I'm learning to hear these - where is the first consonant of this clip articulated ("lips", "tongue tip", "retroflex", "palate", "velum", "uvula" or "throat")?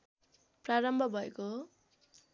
lips